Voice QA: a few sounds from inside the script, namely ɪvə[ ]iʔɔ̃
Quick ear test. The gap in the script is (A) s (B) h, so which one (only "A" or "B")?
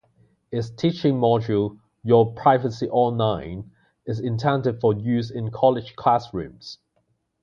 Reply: A